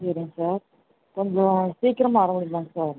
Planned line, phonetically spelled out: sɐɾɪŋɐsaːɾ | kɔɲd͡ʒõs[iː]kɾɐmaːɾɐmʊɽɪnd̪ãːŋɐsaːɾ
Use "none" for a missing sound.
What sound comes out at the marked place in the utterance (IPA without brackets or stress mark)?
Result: iː